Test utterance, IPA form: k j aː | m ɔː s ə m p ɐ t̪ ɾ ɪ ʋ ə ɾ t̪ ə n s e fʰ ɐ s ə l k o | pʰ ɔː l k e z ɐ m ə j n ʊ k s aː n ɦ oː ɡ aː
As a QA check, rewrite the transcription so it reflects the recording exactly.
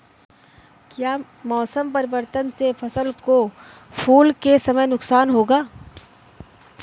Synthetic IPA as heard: k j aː | m ɔː s ə m p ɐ ɾ ɪ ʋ ə ɾ t̪ ə n s e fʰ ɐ s ə l k o | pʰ uː l k e s ɐ m ə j n ʊ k s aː n ɦ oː ɡ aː